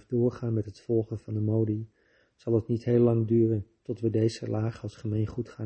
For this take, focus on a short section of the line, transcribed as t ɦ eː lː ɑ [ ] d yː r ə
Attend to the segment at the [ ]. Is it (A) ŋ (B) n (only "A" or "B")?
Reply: A